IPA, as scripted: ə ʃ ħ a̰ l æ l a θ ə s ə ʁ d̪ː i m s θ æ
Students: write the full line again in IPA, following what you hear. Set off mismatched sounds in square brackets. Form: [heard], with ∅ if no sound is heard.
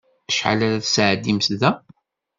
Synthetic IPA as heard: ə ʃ ħ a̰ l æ [ɾ] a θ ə s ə [ʕ] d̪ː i m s [ð] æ

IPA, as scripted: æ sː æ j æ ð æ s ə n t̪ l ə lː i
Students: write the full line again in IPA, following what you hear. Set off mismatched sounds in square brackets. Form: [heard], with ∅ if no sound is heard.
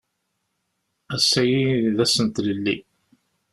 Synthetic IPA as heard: æ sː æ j [i] ð æ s ə n t̪ l ə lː i

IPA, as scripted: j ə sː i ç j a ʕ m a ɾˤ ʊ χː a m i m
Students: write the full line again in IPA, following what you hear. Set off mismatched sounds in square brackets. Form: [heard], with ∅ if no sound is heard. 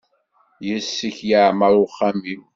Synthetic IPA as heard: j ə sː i ç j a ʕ m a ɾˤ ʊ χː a m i m

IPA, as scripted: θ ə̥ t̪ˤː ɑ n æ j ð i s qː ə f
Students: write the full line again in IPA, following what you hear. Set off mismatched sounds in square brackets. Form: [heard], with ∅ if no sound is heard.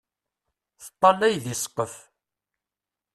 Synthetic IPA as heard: θ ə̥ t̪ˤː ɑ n æ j ð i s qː ə f

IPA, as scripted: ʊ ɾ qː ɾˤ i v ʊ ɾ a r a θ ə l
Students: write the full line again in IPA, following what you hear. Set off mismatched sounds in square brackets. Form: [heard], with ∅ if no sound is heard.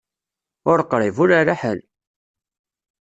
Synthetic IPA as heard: ʊ ɾ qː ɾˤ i v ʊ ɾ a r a [ħ] ə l

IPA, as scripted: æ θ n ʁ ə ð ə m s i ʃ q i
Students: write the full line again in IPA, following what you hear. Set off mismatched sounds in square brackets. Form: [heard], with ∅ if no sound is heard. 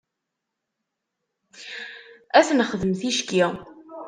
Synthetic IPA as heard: æ θ n [χ] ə ð ə m [θ] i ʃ [k] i

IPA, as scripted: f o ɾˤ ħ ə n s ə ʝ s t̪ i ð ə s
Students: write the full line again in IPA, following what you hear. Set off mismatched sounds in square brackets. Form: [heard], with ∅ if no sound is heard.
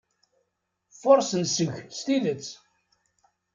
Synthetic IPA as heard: f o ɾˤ [s] ə n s ə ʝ s t̪ i ð ə [t͡s]

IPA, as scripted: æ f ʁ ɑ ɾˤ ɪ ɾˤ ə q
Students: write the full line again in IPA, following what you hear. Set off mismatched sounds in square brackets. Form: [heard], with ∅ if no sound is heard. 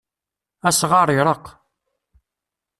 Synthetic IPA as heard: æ [s] ʁ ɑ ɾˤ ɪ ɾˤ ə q

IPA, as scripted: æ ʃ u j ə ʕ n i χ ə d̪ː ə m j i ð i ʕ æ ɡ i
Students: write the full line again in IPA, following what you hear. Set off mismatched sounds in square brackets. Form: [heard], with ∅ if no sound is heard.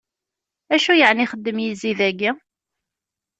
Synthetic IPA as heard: æ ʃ u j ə ʕ n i χ ə d̪ː ə m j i [z] i [ð] æ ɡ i

